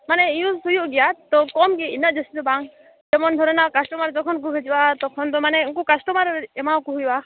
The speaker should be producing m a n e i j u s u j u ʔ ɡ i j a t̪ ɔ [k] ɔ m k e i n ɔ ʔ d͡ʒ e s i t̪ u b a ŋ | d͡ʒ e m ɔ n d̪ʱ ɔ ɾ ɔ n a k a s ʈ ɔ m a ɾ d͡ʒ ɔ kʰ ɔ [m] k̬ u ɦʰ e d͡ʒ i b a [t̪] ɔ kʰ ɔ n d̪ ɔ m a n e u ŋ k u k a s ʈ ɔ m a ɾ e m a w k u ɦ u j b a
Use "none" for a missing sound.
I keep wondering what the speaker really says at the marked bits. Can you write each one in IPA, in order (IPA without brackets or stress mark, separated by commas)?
k, n, t̪